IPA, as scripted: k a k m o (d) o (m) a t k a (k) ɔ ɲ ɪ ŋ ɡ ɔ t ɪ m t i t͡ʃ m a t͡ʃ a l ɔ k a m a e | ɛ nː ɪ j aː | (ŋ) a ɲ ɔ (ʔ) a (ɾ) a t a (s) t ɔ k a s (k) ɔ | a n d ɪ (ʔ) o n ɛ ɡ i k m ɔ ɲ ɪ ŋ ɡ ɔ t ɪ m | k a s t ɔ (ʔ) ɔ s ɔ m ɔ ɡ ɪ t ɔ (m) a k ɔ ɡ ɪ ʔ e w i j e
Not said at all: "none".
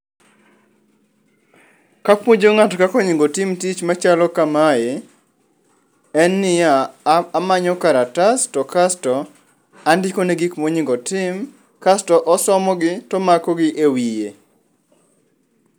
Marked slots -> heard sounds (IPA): d͡ʒ, ŋ, k, m, k, ɾ, s, t, k, ʔ, m

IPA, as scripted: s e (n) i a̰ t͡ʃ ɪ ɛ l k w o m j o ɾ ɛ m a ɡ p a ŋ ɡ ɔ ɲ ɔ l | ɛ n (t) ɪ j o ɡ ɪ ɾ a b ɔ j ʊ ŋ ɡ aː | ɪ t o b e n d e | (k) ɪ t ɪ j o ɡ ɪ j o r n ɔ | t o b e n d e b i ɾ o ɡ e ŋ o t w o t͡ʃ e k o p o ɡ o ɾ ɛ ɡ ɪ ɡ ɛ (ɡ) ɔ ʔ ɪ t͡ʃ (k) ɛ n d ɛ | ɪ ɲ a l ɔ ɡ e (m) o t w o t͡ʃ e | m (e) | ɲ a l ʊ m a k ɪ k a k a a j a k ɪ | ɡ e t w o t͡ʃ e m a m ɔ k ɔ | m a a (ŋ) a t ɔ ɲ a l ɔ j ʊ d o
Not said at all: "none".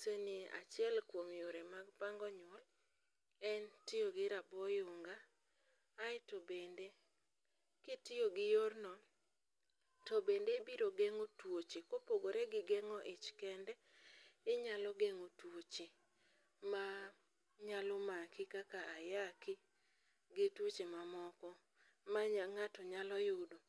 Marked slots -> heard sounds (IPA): n, t, k, ŋ, k, ŋ, a, ŋ

